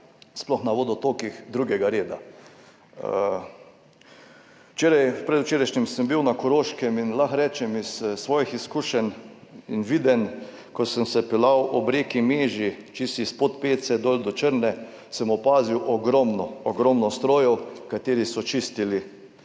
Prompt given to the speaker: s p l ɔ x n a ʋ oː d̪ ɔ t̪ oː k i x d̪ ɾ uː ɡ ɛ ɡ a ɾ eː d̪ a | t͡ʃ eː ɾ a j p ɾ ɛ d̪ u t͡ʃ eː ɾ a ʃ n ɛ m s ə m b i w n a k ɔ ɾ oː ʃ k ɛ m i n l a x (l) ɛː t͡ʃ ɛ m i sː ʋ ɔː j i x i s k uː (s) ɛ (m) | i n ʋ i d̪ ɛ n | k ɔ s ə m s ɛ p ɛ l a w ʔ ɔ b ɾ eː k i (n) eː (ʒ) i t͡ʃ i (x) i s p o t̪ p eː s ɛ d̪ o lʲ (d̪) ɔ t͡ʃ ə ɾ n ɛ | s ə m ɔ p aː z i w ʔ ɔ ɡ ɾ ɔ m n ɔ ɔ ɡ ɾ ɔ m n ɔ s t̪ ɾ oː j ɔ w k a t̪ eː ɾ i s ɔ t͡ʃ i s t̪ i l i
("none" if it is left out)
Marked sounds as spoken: ɾ, ʃ, n, m, ʒ, s, d̪

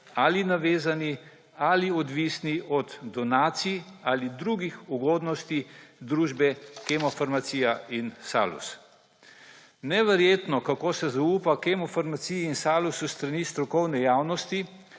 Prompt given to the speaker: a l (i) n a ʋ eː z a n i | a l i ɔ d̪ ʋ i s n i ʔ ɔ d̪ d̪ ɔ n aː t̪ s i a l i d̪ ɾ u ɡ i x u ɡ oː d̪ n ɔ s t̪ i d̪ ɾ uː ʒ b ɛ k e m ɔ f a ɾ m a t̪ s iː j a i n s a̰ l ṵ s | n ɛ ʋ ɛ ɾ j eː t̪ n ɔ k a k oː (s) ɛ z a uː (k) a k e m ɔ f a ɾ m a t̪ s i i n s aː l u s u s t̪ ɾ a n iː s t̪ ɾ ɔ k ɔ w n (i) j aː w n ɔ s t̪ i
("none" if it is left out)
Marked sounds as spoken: i, s, p, ɛ

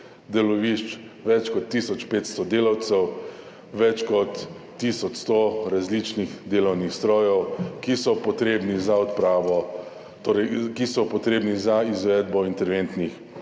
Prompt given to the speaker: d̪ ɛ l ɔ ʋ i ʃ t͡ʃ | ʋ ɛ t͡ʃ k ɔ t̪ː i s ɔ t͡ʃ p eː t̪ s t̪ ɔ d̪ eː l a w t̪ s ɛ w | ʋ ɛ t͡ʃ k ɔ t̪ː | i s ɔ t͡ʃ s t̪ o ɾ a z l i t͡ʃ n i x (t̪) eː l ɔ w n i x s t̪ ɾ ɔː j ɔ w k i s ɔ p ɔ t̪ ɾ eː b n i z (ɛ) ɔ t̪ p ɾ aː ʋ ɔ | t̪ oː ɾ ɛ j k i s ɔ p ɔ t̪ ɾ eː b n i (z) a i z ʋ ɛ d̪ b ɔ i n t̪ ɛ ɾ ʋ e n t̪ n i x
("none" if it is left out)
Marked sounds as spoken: d̪, a, z

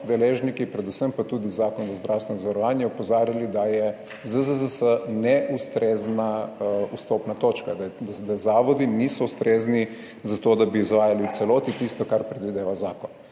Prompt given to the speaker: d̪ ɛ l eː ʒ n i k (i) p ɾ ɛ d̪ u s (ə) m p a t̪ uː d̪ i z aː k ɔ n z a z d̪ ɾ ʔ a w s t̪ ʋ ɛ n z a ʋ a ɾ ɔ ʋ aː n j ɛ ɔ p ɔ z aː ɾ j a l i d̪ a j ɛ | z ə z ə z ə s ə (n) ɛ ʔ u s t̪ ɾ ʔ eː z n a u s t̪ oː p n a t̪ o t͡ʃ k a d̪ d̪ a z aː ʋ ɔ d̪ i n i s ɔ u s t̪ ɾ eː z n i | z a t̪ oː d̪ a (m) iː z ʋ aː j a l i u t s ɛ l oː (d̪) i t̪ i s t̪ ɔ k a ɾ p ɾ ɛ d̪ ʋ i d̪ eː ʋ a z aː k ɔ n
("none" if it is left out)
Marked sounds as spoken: i, ə, n, b, t̪

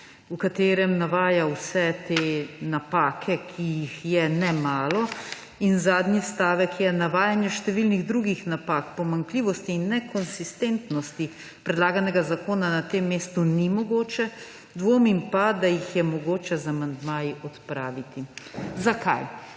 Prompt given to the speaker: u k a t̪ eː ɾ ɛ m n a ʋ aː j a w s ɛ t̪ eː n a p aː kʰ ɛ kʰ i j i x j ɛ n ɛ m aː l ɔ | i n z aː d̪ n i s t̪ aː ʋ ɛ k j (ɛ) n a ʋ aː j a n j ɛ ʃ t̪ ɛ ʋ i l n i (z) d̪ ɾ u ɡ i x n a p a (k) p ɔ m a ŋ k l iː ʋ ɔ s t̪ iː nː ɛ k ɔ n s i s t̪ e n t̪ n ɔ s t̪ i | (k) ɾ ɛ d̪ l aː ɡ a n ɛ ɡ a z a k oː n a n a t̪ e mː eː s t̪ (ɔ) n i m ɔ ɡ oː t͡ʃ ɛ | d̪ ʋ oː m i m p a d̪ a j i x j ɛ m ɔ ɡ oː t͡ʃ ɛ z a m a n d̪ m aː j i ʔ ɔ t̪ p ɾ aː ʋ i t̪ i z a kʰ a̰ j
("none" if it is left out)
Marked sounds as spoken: ɛ, ɣ, k, p, u

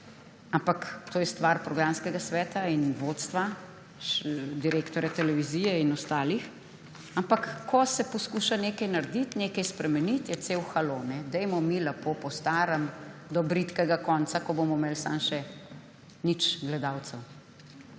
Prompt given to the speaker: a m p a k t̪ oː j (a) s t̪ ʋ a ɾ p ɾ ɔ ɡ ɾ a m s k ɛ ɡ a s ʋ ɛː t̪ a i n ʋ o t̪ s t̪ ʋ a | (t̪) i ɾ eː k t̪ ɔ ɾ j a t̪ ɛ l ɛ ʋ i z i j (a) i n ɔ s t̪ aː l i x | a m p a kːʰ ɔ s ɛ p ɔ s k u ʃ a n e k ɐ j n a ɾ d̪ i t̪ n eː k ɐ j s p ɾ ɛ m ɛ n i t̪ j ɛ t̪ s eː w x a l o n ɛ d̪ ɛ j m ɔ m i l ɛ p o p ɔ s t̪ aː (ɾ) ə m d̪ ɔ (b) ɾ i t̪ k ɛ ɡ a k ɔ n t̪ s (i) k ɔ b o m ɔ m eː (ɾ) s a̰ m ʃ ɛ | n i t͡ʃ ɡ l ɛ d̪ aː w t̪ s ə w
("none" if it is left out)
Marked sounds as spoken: ɛ, d̪, ɛ, ɾ, b, a, l

